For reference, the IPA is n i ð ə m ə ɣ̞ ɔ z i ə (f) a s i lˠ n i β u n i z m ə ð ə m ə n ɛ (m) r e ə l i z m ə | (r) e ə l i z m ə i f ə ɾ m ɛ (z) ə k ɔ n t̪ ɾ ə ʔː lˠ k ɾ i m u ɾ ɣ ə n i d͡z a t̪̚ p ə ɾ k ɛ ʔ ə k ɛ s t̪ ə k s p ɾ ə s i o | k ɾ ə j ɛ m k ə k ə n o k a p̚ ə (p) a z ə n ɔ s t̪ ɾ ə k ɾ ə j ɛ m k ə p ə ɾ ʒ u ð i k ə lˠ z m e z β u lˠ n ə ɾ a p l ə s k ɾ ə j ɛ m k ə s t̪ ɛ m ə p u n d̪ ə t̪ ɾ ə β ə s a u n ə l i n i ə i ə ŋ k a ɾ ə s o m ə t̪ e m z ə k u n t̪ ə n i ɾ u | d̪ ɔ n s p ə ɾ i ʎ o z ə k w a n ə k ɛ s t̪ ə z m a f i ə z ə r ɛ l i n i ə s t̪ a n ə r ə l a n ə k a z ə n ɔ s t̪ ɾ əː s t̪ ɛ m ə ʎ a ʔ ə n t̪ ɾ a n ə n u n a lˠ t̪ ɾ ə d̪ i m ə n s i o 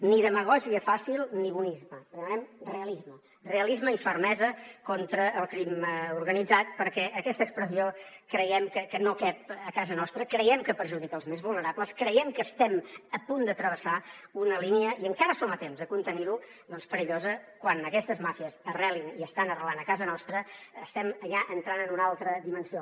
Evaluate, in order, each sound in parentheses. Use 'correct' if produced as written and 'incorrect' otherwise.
correct, correct, correct, correct, incorrect

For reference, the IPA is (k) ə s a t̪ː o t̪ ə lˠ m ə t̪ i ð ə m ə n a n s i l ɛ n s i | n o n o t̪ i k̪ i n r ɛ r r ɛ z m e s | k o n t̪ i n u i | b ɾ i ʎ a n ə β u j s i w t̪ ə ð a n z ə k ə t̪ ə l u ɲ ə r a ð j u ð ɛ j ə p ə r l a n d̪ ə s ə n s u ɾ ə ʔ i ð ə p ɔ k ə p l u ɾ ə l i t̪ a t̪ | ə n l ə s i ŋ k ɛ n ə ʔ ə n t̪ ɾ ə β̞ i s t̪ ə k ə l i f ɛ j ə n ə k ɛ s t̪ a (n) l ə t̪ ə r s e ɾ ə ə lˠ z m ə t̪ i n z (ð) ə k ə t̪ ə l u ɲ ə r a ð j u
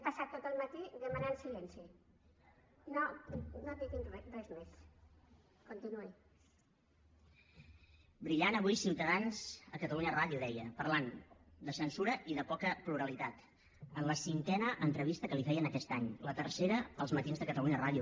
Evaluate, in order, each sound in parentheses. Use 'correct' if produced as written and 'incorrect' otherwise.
incorrect, incorrect, correct

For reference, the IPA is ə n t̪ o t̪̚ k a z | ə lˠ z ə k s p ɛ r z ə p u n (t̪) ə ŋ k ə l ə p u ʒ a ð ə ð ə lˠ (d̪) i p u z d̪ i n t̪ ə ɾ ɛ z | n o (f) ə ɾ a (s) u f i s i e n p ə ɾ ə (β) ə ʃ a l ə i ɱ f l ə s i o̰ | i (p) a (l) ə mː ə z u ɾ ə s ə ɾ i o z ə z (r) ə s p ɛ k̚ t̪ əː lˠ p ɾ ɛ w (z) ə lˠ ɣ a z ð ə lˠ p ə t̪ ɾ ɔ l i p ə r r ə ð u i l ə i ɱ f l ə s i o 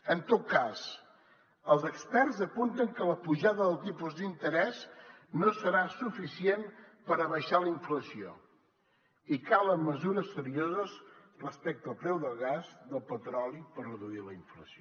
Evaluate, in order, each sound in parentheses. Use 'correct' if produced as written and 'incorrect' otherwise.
correct, incorrect, incorrect, correct, correct, incorrect, correct, correct, incorrect

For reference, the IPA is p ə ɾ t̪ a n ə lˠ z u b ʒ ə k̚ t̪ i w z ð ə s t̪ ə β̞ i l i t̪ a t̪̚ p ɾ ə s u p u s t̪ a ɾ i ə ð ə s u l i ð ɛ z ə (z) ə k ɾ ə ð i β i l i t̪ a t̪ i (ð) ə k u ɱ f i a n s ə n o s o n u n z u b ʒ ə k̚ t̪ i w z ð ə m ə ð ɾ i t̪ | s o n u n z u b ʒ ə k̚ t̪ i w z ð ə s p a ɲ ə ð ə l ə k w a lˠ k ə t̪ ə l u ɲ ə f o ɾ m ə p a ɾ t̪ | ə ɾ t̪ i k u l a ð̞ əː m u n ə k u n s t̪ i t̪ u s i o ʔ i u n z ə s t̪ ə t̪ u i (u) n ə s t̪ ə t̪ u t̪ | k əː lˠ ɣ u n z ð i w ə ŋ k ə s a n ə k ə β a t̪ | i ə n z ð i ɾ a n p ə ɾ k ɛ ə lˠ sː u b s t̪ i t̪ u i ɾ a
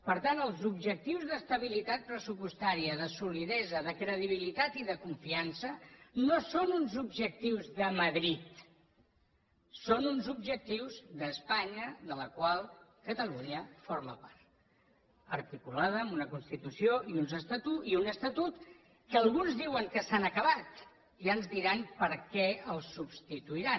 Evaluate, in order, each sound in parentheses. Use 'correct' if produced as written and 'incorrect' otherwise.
incorrect, correct, correct

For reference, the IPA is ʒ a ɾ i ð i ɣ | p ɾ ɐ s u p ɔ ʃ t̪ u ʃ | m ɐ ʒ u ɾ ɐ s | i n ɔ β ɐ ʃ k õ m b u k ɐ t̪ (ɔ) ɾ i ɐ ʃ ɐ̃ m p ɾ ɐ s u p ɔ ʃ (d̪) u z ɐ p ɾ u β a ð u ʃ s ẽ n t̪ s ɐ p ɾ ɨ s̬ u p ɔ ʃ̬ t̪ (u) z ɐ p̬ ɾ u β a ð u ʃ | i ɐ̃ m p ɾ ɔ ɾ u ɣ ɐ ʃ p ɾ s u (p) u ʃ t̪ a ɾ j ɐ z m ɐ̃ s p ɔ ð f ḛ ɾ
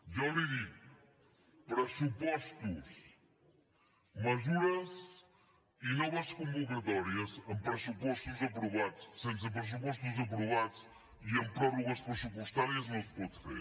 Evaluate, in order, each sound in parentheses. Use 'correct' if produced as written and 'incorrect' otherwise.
correct, incorrect, correct, correct

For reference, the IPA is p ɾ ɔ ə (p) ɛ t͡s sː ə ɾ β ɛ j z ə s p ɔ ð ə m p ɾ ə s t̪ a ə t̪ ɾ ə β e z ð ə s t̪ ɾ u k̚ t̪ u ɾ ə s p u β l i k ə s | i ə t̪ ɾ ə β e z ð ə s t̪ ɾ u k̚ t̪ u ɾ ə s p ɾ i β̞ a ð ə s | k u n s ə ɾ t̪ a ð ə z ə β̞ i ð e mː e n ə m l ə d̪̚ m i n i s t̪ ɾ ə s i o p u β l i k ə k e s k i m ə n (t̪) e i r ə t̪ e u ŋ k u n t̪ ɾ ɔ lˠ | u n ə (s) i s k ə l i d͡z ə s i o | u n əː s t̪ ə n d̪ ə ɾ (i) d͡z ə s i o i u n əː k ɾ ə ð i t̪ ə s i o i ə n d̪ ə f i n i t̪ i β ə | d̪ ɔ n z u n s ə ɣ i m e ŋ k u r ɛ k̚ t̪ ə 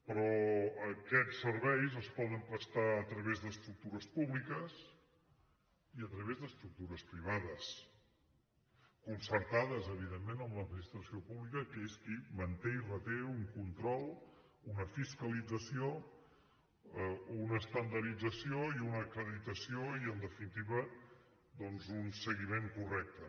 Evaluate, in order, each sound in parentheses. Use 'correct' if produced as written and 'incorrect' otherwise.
incorrect, correct, incorrect, correct

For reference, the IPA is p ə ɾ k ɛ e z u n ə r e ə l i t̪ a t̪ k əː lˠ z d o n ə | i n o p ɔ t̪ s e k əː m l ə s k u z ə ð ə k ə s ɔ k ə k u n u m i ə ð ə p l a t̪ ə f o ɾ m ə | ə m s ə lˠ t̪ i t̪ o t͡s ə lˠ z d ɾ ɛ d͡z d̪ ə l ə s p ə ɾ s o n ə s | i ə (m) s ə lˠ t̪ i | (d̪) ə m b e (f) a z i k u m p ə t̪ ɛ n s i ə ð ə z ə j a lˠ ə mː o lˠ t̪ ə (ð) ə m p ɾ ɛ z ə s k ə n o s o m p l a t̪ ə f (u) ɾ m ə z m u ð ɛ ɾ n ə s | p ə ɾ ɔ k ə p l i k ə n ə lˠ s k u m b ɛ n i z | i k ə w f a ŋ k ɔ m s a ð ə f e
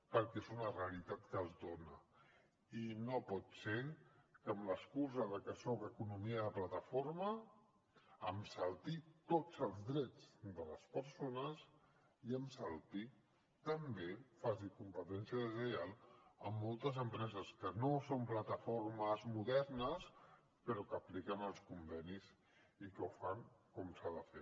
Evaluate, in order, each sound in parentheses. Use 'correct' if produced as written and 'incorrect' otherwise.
correct, incorrect, correct, incorrect, incorrect

